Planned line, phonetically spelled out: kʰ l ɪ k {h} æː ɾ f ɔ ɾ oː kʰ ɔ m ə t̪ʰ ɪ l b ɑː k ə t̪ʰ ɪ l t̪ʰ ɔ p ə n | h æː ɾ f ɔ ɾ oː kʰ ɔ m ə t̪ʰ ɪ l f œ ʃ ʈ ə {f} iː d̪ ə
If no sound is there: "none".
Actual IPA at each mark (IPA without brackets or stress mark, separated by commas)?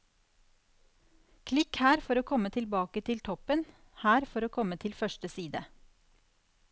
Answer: h, s